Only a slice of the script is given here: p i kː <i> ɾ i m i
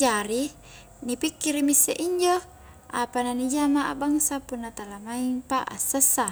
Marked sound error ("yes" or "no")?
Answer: no